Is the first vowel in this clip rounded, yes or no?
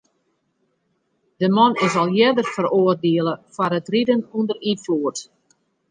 no